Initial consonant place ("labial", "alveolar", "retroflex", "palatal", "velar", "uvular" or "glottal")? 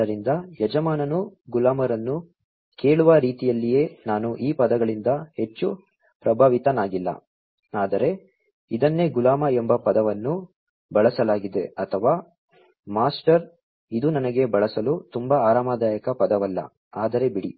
alveolar